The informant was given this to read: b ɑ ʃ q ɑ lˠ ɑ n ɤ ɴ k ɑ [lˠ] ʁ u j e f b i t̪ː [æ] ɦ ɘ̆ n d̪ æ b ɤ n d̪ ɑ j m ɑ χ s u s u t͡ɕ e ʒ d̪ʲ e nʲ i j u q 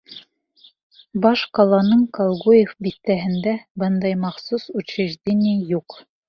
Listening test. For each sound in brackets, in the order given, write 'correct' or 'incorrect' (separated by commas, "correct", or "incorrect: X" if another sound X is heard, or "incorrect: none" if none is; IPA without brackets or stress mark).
correct, correct